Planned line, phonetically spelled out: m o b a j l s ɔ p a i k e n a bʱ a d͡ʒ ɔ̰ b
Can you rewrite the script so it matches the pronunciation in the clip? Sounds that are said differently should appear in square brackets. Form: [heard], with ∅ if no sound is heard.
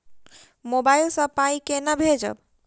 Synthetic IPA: m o b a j l s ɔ p a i k e n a bʱ [e] d͡ʒ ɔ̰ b

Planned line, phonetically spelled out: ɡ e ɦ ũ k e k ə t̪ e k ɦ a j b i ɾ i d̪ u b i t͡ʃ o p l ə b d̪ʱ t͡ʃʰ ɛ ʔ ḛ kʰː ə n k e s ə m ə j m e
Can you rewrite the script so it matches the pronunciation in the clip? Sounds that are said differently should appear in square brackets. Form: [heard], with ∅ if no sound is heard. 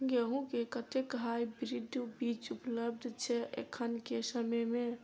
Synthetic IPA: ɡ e ɦ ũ k e k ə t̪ e k ɦ a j b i ɾ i d̪ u b i t͡ʃ [u] p l ə b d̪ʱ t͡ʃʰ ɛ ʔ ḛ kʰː ə n k e s ə m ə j m e

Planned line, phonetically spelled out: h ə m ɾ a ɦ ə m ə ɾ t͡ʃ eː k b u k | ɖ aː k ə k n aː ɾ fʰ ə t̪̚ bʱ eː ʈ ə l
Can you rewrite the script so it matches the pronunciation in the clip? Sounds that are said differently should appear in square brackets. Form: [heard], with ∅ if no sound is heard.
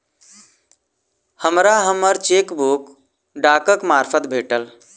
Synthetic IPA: h ə m ɾ a ɦ ə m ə ɾ t͡ʃ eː k b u k | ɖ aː k ə k [m] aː ɾ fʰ ə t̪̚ bʱ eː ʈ ə l

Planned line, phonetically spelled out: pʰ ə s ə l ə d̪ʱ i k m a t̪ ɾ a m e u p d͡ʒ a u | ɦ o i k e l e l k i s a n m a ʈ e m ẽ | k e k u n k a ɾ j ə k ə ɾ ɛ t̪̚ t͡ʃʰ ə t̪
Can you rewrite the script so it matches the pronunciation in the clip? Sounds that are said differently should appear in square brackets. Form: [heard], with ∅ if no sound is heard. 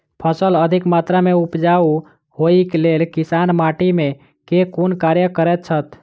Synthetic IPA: pʰ ə s ə l ə d̪ʱ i k m a t̪ ɾ a m e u p d͡ʒ a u | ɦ o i k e l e l k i s a n m a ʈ [i] m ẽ | k e k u n k a ɾ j ə k ə ɾ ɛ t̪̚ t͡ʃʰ ə t̪

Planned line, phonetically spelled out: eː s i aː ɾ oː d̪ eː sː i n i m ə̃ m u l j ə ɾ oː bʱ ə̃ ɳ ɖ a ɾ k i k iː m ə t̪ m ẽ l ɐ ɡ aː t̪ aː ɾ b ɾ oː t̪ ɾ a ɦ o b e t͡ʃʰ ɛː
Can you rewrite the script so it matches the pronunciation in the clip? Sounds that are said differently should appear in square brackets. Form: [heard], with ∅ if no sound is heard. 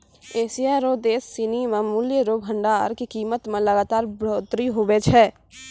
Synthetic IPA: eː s i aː ɾ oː d̪ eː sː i n i m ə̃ m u l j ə ɾ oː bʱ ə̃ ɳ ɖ a ɾ k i k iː m ə t̪ m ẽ l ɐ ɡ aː t̪ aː ɾ b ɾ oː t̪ ɾ [i] ɦ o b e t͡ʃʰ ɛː

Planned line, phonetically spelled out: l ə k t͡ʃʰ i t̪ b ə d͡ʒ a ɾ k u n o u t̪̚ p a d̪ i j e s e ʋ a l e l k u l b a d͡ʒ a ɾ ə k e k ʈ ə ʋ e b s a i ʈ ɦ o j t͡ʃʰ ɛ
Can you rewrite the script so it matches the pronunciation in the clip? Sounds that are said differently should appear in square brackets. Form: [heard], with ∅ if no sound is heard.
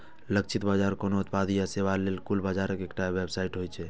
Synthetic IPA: l ə k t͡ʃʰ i t̪ b [a] d͡ʒ a ɾ k [o] n o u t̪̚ p a d̪ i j [a] s e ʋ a l e l k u l b a d͡ʒ a ɾ ə k e k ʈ [a] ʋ e b s a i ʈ ɦ o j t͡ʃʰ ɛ

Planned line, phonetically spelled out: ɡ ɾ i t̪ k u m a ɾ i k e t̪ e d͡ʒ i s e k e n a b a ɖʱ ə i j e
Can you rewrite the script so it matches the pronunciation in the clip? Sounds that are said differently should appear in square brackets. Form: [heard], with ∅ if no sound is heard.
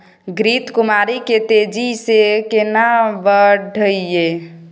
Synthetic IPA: ɡ ɾ i t̪ k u m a ɾ i k e t̪ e d͡ʒ i s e k e n a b [ə] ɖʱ ə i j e

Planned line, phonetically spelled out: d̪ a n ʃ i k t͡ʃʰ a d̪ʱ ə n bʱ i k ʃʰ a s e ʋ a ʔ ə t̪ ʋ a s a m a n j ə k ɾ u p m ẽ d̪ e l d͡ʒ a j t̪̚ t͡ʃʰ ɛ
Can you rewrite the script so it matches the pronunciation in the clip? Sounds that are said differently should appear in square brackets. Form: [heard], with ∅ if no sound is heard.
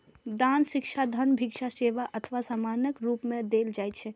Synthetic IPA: d̪ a n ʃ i k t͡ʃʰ a d̪ʱ ə n bʱ i k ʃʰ a s e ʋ a ʔ ə [t̪ʰ] ʋ a s a m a n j ə k ɾ u p m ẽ d̪ e l d͡ʒ a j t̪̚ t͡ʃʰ ɛ

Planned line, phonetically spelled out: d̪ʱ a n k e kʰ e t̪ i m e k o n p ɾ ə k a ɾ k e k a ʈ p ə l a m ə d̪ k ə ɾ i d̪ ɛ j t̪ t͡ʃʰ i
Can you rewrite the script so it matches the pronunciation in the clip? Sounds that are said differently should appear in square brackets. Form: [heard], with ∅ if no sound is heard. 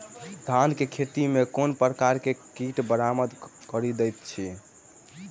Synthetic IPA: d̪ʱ a n k e kʰ e t̪ i m e k o n p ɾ ə k a ɾ k e k [i] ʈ [b] ə [ɾ] a m ə d̪ k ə ɾ i d̪ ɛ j t̪ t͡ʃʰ i

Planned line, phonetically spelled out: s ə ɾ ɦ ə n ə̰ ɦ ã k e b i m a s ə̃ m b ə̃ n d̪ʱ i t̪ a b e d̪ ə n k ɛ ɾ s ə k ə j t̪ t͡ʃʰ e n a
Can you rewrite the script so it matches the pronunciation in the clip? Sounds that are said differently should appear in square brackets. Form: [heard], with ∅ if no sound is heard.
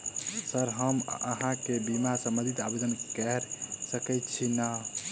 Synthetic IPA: s ə ɾ ɦ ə [m] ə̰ ɦ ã k e b i m a s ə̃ m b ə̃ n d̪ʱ i t̪ a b e d̪ ə n k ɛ ɾ s ə k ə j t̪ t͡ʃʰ [i] n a

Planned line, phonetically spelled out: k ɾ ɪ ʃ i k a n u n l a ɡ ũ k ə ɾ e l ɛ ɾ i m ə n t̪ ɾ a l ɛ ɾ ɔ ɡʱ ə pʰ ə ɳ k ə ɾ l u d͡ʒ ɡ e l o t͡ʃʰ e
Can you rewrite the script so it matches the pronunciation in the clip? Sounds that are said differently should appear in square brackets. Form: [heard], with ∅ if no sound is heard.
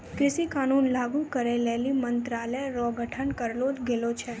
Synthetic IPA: k ɾ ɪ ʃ i k a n u n l a ɡ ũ k ə ɾ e l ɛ [l] i m ə n t̪ ɾ a l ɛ ɾ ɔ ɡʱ ə [ʈʰ] ə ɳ k ə ɾ l [o] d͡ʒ ɡ e l o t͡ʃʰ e

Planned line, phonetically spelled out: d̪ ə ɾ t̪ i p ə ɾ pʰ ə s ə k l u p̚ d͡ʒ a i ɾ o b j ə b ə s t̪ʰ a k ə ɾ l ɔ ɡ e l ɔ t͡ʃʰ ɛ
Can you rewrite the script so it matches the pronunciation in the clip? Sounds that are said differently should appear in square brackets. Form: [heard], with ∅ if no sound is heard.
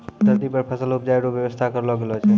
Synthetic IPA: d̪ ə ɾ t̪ i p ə ɾ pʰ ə s ə [∅] l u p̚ d͡ʒ a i ɾ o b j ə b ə s t̪ʰ a k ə ɾ l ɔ ɡ e l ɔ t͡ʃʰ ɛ

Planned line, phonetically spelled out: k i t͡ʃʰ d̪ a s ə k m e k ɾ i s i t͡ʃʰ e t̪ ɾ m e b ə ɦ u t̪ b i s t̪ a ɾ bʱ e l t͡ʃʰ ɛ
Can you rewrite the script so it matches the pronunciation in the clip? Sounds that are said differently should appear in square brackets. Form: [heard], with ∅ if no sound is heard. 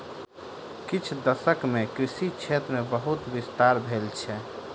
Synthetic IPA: k i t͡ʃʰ d̪ [ə] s ə k m e k ɾ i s i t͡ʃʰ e t̪ ɾ m e b ə ɦ u t̪ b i s t̪ a ɾ bʱ e l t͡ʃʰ ɛ

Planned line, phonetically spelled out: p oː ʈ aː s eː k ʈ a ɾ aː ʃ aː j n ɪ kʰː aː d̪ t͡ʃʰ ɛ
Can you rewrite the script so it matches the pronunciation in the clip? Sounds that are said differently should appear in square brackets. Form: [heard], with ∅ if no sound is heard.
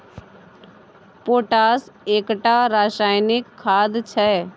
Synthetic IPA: p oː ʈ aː s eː k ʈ a ɾ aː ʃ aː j n ɪ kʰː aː d̪ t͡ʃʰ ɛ

